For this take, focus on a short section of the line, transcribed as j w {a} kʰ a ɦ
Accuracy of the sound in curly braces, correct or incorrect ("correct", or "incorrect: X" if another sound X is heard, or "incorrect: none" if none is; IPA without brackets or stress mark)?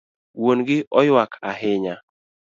correct